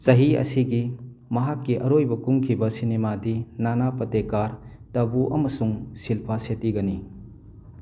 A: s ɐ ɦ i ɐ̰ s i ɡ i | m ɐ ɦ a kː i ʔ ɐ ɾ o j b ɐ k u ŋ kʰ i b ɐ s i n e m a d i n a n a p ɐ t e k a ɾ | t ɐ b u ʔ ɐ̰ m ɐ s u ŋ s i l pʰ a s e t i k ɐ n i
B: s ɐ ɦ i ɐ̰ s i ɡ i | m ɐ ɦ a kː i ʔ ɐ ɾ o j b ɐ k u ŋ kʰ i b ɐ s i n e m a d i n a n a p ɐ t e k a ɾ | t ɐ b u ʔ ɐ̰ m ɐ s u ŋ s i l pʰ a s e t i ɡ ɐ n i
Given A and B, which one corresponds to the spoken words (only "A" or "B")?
B